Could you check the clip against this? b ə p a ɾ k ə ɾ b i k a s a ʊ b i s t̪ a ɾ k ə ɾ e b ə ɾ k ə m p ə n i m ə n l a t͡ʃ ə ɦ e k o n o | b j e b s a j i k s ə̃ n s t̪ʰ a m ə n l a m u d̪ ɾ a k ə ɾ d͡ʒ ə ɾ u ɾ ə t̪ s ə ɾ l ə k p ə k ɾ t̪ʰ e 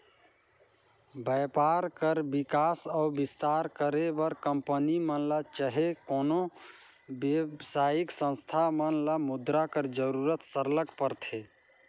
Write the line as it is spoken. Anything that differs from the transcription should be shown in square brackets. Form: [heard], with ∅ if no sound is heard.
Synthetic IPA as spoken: b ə p a ɾ k ə ɾ b i k a s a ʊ b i s t̪ a ɾ k ə ɾ e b ə ɾ k ə m p ə n i m ə n l a t͡ʃ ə ɦ e k o n o | b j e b s a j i k s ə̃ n s t̪ʰ a m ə n l a m u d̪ ɾ a k ə ɾ d͡ʒ ə ɾ u ɾ ə t̪ s ə ɾ l ə k p ə [∅] ɾ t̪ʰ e

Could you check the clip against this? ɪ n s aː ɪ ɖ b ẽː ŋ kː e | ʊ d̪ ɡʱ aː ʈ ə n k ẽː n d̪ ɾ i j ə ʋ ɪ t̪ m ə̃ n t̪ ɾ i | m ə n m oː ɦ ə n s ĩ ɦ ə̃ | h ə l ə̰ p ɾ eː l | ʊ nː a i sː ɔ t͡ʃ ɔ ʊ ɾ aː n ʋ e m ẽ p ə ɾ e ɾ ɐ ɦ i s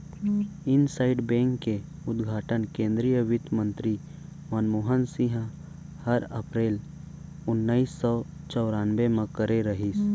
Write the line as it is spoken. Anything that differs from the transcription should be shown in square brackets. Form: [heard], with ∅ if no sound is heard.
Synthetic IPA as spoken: ɪ n s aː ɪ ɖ b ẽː ŋ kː e | ʊ d̪ ɡʱ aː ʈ ə n k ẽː n d̪ ɾ i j ə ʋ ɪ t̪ m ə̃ n t̪ ɾ i | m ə n m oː ɦ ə n s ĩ ɦ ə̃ | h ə [ɾ] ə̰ p ɾ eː l | ʊ nː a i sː ɔ t͡ʃ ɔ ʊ ɾ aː n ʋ e m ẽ [k] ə ɾ e ɾ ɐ ɦ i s

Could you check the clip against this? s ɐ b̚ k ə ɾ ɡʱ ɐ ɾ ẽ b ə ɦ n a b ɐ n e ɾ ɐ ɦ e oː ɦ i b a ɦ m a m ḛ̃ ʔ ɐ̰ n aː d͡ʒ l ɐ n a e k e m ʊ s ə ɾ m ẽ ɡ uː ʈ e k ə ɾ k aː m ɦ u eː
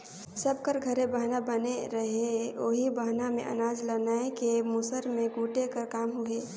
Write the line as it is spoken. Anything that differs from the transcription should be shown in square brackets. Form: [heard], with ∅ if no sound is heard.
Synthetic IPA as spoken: s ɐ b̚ k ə ɾ ɡʱ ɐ ɾ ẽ b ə ɦ n a b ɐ n e ɾ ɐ ɦ e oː ɦ i b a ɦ [n] a m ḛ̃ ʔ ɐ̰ n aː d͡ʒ l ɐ n a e k e m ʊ s ə ɾ m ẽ ɡ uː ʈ e k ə ɾ k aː m ɦ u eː

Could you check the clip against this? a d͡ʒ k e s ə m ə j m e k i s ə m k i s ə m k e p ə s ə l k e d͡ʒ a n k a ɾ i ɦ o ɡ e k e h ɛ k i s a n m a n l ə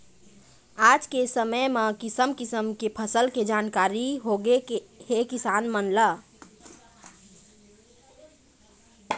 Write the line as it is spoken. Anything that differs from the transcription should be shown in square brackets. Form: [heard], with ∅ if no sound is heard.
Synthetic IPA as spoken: a d͡ʒ k e s ə m ə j m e k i s ə m k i s ə m k e [pʰ] ə s ə l k e d͡ʒ a n k a ɾ i ɦ o ɡ e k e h [e] k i s a n m [ə] n l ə

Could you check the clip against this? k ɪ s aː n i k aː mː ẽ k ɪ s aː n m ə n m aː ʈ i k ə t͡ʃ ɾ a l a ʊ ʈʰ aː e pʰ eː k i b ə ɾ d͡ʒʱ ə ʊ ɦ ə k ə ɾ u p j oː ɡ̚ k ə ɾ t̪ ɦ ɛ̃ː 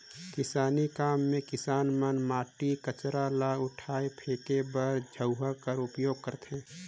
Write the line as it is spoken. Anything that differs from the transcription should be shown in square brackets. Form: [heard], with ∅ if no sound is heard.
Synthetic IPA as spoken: k ɪ s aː n i k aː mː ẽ k ɪ s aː n m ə n m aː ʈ i k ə t͡ʃ ɾ a l a ʊ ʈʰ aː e pʰ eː k [e] b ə ɾ d͡ʒʱ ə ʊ ɦ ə k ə ɾ [ʊ] p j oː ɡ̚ k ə ɾ t̪ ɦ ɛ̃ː

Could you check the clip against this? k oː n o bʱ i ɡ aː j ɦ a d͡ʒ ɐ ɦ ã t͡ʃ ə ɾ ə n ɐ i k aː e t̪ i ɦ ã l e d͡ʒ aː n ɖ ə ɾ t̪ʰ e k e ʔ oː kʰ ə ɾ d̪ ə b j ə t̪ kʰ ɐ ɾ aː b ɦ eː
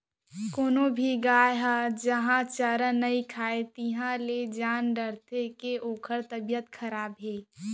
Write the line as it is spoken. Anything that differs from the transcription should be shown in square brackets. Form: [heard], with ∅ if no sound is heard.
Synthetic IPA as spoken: k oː n o bʱ i ɡ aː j ɦ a d͡ʒ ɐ ɦ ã t͡ʃ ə ɾ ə n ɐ i [kʰ] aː e t̪ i ɦ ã l e d͡ʒ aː n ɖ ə ɾ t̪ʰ e k e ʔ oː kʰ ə ɾ [t̪] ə b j ə t̪ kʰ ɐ ɾ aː b ɦ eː

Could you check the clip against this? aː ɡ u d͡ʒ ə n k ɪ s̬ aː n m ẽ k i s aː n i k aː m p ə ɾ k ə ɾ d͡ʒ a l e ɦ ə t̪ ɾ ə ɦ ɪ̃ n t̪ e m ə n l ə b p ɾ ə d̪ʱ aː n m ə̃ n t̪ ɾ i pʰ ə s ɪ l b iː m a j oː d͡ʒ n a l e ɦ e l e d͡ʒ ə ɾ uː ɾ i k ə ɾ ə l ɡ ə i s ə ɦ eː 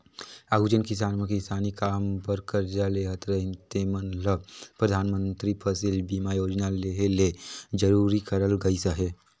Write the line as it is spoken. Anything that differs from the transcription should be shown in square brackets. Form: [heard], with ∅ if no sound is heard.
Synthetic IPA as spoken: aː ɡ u d͡ʒ ə n k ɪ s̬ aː n m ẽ k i s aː n i k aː m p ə ɾ k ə ɾ d͡ʒ a l e ɦ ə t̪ ɾ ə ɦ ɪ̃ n t̪ e m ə n l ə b p ɾ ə d̪ʱ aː n m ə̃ n t̪ ɾ i pʰ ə s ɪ l b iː m a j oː d͡ʒ n a l e ɦ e l e d͡ʒ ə ɾ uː ɾ i k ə ɾ ə l ɡ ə i s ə ɦ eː

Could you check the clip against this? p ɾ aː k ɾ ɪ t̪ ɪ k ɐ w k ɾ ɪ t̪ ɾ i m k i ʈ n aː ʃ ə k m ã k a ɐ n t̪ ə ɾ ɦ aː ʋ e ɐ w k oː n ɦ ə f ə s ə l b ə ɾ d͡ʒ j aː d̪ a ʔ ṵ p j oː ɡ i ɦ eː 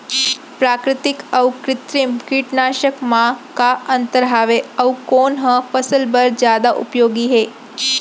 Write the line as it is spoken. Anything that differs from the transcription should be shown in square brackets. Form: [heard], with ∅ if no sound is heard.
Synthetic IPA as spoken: p ɾ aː k ɾ ɪ t̪ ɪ k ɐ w k ɾ ɪ t̪ ɾ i m k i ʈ n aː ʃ ə k m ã k a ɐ n t̪ ə ɾ ɦ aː ʋ e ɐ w k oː n ɦ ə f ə s ə l b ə ɾ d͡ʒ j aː d̪ a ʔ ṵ p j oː ɡ i ɦ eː

